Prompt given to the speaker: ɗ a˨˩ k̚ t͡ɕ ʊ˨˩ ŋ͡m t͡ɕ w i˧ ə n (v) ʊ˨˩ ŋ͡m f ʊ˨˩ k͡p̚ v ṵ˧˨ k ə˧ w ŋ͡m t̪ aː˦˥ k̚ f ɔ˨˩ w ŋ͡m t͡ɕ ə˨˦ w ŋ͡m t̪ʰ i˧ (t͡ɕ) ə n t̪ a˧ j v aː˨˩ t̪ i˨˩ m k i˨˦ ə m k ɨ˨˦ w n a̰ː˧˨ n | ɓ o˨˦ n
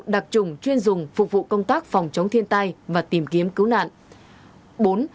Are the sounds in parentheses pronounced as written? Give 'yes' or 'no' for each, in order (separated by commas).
no, no